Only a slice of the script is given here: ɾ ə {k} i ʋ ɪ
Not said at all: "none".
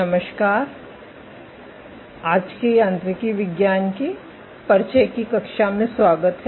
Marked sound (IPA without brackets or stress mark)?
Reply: k